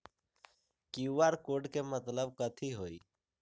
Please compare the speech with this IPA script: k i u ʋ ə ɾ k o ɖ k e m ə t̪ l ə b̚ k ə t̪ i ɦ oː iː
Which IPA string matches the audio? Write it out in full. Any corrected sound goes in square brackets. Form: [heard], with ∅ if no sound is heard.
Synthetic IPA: k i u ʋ [a] ɾ k o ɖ k e m ə t̪ l ə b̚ k ə [t̪ʰ] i ɦ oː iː

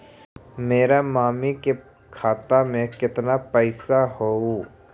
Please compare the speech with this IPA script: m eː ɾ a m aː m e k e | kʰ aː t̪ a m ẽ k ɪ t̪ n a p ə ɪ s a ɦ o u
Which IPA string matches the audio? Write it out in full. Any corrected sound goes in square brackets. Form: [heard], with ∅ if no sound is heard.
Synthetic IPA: m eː ɾ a m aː m [i] k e | kʰ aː t̪ a m ẽ k ɪ t̪ n a p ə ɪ s a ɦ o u

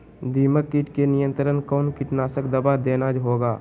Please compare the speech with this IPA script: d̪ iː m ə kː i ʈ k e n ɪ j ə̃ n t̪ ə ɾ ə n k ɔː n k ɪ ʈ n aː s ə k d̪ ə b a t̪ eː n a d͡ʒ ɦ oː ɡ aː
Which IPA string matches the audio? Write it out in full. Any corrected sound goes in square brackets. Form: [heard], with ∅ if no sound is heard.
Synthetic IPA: d̪ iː m ə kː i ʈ k e n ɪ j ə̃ n t̪ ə ɾ ə n k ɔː n k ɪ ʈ n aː s ə k d̪ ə b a [d̪] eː n a d͡ʒ ɦ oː ɡ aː

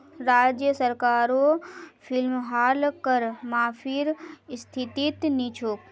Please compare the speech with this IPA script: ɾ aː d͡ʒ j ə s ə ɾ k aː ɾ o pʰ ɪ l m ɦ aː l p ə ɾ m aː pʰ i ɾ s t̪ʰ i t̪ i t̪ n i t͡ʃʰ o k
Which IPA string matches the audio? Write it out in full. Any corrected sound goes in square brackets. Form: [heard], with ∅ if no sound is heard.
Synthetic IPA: ɾ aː d͡ʒ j ə s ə ɾ k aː ɾ o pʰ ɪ l m ɦ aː l [k] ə ɾ m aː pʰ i ɾ s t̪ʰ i t̪ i t̪ n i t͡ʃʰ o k

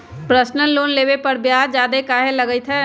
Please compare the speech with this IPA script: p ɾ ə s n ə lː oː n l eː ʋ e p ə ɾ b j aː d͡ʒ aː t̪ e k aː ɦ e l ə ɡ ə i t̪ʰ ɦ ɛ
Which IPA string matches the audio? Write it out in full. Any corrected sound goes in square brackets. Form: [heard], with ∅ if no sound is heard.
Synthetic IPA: p ɾ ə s n ə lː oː n l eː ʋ e p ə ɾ b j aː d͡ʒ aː [d̪] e k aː ɦ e l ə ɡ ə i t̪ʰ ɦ ɛ

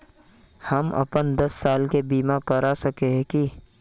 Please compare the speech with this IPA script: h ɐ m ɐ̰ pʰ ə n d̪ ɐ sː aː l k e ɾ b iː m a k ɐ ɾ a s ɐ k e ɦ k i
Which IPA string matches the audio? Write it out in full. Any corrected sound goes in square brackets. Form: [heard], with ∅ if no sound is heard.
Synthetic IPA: h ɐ m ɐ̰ [p] ə n d̪ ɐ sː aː l k e [∅] b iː m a k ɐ ɾ a s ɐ k e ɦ k i

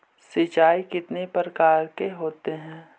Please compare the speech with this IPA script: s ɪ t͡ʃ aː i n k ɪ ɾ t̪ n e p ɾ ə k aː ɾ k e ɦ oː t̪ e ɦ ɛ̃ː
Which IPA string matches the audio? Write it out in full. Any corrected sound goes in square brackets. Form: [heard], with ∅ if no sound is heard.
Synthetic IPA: s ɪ t͡ʃ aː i [∅] k ɪ [∅] t̪ n e p ɾ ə k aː ɾ k e ɦ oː t̪ e ɦ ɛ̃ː

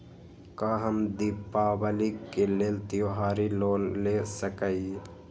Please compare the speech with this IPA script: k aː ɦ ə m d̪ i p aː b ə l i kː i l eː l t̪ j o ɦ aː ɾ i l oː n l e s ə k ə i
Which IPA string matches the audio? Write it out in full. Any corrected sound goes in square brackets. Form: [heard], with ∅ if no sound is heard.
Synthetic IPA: k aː ɦ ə m d̪ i p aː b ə l i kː [e] l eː l t̪ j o ɦ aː ɾ i l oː n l e s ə k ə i

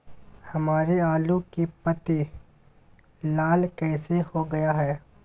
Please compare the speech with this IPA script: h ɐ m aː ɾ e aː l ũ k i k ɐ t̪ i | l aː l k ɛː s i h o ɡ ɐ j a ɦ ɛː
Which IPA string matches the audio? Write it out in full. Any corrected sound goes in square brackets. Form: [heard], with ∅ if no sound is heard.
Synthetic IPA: h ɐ m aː ɾ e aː l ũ k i [p] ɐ t̪ i | l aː l k ɛː s [e] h o ɡ ɐ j a ɦ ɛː

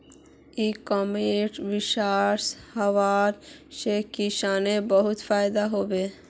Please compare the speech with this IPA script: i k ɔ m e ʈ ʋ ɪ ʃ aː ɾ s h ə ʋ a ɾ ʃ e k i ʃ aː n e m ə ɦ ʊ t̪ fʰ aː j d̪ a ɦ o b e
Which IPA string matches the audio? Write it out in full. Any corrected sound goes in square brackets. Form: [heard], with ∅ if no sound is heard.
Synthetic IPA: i k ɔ m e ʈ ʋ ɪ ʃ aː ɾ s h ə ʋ a ɾ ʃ e k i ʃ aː n e [b] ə ɦ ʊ t̪ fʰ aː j d̪ a ɦ o b e

